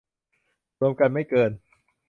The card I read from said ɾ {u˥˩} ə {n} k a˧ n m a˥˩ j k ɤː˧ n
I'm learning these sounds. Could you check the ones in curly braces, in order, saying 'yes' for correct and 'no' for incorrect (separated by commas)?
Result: no, no